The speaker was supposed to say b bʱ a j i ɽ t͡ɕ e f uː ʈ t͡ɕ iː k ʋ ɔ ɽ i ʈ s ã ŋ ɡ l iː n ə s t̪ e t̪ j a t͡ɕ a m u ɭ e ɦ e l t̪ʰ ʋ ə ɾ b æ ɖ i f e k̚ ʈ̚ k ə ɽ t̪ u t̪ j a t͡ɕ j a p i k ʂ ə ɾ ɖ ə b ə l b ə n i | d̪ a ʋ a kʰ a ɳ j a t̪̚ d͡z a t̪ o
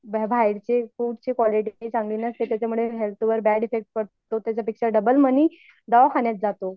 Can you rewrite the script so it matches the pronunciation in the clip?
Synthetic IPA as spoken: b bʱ a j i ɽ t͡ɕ e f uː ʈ t͡ɕ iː k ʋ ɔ l i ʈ t͡s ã ŋ ɡ l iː n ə s t̪ e t̪ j a t͡ɕ a m u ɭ e ɦ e l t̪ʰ ʋ ə ɾ b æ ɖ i f e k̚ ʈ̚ k ə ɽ t̪ o t̪ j a t͡ɕ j a p i k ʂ ə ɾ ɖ ə b ə l m ə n i | d̪ a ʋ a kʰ a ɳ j a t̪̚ d͡z a t̪ o